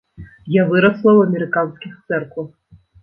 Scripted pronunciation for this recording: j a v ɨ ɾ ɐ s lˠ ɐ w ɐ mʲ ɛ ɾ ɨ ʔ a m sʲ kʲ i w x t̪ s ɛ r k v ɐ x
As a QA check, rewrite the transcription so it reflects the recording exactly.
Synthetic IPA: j a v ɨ ɾ ɐ s lˠ ɐ w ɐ mʲ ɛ ɾ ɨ k a n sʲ kʲ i x t̪ s ɛ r k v ɐ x